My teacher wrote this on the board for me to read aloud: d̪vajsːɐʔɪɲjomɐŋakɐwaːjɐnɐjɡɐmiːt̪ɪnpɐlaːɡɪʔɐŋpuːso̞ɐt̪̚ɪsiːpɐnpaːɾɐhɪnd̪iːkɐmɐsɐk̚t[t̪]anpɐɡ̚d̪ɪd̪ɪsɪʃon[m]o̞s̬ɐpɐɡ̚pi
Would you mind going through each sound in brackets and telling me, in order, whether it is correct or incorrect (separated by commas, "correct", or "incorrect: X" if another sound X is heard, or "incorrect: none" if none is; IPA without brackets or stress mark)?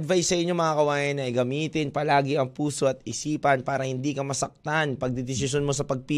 correct, correct